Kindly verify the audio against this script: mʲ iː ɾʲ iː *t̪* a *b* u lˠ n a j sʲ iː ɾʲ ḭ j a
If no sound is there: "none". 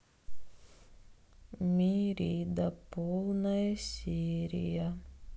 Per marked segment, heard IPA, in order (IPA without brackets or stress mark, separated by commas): d̪, p